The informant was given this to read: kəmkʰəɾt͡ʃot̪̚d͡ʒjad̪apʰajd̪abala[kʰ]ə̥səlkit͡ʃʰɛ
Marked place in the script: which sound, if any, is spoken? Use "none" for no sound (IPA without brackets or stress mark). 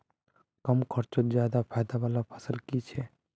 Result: pʰ